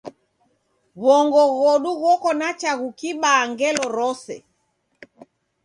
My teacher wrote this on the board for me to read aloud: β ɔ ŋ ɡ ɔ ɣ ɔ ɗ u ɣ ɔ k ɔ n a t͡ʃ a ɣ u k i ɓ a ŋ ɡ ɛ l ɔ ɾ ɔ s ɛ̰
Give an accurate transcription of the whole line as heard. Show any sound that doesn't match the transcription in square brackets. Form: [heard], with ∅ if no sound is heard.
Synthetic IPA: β ɔ ŋ ɡ ɔ ɣ ɔ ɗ u ɣ ɔ k ɔ n a t͡ʃ a ɣ u k i ɓ a ŋ ɡ ɛ l ɔ ɾ ɔ s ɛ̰